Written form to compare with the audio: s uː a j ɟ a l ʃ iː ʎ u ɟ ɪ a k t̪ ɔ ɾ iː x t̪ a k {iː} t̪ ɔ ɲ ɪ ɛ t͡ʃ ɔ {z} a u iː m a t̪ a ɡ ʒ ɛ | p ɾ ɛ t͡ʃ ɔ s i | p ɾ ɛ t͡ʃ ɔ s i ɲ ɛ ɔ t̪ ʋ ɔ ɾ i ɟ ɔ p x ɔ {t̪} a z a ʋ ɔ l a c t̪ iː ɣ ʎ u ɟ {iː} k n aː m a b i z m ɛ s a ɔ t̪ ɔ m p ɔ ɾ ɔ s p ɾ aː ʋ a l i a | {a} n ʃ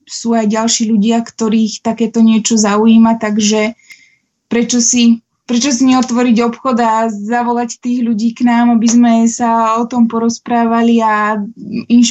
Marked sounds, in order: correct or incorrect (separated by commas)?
incorrect, correct, incorrect, correct, incorrect